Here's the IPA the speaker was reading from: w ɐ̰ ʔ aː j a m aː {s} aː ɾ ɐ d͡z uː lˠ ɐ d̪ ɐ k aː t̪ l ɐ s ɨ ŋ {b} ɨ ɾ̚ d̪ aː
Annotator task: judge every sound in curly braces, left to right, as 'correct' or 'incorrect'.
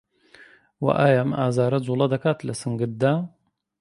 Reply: incorrect, incorrect

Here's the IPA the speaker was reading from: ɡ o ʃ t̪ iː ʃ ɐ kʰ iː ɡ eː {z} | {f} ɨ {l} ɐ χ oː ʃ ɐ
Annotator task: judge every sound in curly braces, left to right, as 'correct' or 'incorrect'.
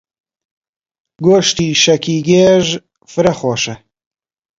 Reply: incorrect, correct, incorrect

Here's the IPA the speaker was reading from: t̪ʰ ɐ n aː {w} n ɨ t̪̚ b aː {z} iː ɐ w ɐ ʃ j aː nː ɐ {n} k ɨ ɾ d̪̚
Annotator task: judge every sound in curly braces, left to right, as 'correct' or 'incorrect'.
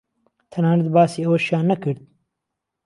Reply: incorrect, incorrect, incorrect

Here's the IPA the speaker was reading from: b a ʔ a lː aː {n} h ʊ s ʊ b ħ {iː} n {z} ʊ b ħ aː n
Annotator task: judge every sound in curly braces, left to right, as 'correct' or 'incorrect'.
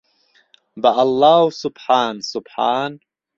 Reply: incorrect, incorrect, incorrect

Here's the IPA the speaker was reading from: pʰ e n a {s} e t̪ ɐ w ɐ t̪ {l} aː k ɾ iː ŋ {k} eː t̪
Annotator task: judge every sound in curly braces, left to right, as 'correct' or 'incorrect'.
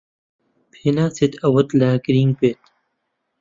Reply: correct, correct, incorrect

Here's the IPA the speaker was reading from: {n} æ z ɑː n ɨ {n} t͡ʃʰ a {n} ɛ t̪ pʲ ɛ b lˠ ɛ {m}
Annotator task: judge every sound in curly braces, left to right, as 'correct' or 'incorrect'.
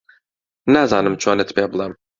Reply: correct, incorrect, correct, correct

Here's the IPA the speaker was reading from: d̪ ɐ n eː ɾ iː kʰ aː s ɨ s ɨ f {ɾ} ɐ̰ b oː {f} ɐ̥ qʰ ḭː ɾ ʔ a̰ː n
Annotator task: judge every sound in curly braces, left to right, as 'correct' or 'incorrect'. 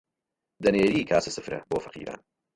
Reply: correct, correct

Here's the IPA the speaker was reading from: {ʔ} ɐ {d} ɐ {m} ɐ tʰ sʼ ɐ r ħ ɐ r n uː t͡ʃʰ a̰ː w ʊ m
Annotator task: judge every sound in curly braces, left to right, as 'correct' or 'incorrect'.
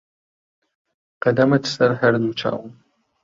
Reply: incorrect, correct, correct

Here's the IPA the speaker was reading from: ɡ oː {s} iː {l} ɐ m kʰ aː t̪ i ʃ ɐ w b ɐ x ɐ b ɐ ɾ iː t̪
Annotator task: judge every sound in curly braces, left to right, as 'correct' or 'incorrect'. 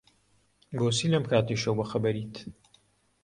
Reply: correct, correct

